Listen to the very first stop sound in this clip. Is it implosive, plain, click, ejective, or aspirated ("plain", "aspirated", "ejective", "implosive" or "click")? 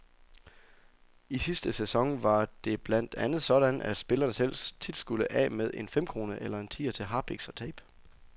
plain